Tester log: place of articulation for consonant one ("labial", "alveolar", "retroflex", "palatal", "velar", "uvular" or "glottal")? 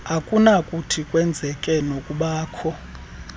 velar